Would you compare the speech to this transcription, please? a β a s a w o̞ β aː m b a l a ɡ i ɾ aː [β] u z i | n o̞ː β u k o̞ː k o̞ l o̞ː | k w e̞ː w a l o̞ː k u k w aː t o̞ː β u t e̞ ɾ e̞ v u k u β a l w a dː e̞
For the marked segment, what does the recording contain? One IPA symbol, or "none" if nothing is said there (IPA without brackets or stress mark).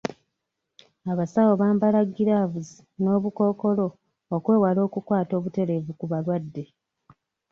v